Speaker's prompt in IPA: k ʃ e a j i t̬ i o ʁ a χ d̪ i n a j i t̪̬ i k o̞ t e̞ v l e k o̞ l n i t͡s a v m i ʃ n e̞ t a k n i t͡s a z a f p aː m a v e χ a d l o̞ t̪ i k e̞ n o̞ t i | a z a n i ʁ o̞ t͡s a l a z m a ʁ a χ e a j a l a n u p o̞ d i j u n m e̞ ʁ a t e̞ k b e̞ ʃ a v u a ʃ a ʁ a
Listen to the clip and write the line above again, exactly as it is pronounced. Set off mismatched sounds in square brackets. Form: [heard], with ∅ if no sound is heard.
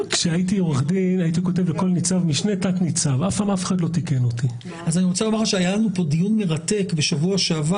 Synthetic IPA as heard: k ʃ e a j i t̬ i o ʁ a χ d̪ i n a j i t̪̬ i k o̞ t e̞ v l e k o̞ l n i t͡s a v m i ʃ n e̞ t a k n i t͡s a [v] a f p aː m a [f] e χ a d l o̞ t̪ i k e̞ n o̞ t i | a z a n i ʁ o̞ t͡s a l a [∅] m a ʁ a [ʃ] e a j a l a n u p o̞ d i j u n m e̞ ʁ a t e̞ k b e̞ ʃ a v u a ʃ a [v] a